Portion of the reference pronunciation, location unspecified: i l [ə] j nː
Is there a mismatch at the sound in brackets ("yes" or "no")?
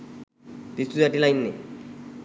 yes